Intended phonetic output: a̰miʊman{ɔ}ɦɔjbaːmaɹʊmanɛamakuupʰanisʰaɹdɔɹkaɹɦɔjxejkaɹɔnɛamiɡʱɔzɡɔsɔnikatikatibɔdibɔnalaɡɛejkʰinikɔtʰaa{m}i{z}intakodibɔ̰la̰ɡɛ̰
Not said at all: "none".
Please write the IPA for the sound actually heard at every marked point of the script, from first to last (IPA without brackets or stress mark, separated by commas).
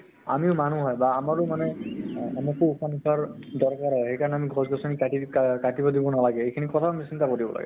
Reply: u, m, s